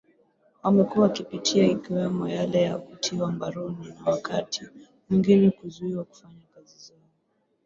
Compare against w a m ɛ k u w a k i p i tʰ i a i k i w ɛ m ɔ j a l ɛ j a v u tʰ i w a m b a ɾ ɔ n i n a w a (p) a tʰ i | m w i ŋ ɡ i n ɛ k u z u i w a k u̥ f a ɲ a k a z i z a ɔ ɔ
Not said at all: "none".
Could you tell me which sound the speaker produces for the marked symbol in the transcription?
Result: k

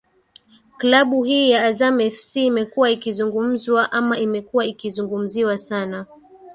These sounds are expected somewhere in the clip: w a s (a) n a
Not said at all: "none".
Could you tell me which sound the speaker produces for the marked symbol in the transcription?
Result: a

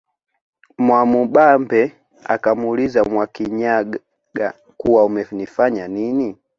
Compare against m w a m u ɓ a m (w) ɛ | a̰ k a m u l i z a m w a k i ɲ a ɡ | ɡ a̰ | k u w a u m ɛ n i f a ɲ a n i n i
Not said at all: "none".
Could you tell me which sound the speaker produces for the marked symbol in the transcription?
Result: b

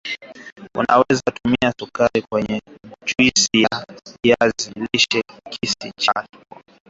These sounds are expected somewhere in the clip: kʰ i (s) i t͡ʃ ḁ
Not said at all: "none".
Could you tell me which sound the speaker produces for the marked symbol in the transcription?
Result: s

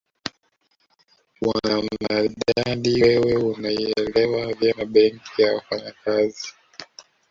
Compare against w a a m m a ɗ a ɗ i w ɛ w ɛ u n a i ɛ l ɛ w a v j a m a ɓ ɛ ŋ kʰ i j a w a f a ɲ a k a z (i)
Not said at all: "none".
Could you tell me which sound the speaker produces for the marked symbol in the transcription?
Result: i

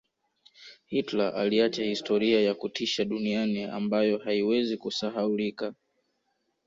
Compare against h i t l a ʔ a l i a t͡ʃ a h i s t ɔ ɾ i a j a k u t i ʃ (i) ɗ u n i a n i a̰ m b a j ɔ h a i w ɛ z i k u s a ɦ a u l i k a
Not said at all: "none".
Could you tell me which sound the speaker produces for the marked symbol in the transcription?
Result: a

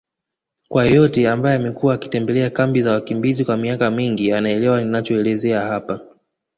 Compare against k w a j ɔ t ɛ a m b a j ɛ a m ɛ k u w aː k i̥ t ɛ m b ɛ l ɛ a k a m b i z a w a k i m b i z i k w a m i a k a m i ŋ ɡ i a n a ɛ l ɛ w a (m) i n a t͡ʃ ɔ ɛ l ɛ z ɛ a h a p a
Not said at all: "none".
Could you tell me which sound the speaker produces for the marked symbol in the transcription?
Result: n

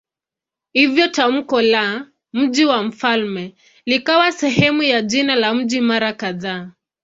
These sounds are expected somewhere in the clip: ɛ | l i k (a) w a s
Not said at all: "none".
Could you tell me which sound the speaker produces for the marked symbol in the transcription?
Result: a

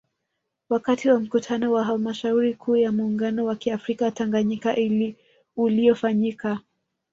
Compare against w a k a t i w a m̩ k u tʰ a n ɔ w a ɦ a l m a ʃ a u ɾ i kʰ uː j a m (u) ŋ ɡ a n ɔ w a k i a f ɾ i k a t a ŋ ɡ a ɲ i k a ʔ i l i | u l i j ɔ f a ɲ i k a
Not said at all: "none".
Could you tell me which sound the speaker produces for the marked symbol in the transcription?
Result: uː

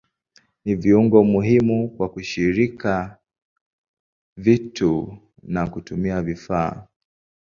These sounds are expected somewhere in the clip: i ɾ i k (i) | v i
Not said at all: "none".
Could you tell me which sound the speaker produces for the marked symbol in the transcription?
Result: a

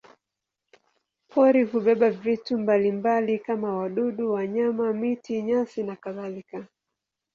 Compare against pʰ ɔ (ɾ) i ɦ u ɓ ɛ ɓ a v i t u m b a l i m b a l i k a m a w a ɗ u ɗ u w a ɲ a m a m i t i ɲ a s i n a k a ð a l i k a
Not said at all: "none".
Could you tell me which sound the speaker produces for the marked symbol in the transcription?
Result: ɾ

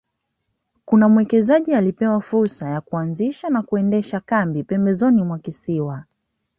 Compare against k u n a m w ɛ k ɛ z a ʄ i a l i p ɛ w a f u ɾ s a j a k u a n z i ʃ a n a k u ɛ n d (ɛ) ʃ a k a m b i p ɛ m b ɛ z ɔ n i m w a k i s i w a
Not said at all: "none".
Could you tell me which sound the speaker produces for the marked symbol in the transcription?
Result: ɛ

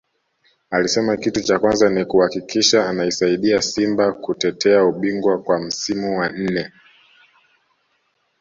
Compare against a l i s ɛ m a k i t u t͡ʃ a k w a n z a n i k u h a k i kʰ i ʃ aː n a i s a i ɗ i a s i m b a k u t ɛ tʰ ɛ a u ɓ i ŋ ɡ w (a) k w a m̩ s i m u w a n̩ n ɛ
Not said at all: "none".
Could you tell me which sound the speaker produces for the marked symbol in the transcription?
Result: a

